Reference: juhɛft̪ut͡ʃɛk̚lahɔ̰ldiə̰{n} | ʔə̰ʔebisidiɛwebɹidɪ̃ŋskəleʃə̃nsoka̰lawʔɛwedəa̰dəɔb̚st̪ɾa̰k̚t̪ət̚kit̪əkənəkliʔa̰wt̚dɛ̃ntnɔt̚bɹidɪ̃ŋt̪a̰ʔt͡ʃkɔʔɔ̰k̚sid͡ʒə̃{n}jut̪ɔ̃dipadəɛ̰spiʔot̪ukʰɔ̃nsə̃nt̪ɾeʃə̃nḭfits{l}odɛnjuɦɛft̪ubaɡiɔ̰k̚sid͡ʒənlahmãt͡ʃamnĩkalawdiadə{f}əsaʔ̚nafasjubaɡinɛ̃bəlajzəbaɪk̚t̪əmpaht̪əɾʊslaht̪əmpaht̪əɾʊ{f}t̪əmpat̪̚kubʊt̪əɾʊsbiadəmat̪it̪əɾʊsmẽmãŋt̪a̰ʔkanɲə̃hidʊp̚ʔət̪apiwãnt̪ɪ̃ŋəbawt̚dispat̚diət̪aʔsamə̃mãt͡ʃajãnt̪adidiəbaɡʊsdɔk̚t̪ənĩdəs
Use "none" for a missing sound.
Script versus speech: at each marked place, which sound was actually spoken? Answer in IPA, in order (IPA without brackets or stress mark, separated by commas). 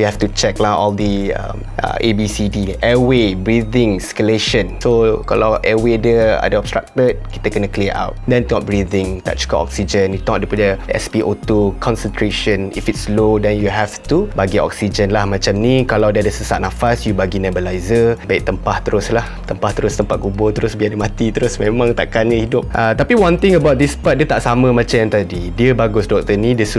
m, n, l, s, s